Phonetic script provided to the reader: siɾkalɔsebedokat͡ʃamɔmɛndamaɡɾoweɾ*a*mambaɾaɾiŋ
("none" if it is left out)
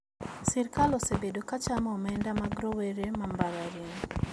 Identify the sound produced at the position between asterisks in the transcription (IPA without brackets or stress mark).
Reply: e